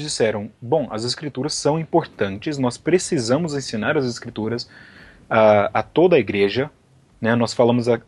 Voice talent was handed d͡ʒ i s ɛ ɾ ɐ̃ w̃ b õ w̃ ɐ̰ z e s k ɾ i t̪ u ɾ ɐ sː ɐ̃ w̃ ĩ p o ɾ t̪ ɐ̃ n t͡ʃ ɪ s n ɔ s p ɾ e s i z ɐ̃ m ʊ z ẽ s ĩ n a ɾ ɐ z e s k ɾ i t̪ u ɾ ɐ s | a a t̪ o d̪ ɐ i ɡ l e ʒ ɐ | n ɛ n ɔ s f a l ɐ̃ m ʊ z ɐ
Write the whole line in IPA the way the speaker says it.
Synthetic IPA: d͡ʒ i s ɛ ɾ ɐ̃ w̃ b õ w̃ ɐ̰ z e s k ɾ i t̪ u ɾ ɐ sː ɐ̃ w̃ ĩ p o ɾ t̪ ɐ̃ n t͡ʃ ɪ s n ɔ s p ɾ e s i z ɐ̃ m ʊ z ẽ s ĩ n a ɾ ɐ z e s k ɾ i t̪ u ɾ ɐ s | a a t̪ o d̪ ɐ i ɡ ɾ e ʒ ɐ | n ɛ n ɔ s f a l ɐ̃ m ʊ z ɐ